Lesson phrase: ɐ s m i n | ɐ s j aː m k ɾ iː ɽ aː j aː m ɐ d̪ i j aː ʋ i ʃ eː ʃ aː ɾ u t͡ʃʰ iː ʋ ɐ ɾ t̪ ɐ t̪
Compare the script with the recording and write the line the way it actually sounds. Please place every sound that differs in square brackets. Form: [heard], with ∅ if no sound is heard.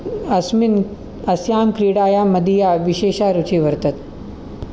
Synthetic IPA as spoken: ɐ s m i n | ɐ s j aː m k ɾ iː ɽ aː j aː m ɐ d̪ i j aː ʋ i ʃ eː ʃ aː ɾ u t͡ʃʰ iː ʋ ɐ ɾ t̪ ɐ t̪